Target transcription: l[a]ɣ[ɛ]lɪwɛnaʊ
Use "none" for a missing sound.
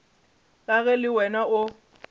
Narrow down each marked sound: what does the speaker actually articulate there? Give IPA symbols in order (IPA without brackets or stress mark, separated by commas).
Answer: a, ɛ